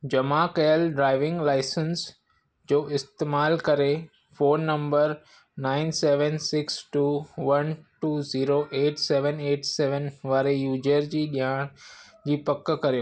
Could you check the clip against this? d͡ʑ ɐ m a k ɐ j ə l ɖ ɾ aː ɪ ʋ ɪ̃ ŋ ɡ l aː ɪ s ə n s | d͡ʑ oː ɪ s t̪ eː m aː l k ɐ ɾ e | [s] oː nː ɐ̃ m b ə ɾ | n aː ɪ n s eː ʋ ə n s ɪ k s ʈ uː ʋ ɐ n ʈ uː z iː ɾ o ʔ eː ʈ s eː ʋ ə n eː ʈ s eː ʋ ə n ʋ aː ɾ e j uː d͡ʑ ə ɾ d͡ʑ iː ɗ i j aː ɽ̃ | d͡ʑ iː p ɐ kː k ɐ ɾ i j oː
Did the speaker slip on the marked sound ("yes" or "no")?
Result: yes